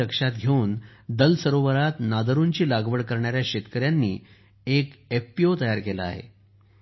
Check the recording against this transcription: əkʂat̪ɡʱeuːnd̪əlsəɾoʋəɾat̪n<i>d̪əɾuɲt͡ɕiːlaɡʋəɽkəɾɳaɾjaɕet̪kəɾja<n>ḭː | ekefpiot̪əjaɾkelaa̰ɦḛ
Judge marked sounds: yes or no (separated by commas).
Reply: no, no